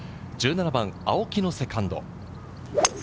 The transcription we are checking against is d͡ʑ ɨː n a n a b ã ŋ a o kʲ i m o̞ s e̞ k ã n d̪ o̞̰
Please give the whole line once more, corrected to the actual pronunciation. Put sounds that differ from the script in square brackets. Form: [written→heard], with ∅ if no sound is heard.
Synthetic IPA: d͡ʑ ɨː n a n a b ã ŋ a o kʲ i [m→n] o̞ s e̞ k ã n d̪ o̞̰